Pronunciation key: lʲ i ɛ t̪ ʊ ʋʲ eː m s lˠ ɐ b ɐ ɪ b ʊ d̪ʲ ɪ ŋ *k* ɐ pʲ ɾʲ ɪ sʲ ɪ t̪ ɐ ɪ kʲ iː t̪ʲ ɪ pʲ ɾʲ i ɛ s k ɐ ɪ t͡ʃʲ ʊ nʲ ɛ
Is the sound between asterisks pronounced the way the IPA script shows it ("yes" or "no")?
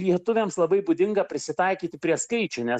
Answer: no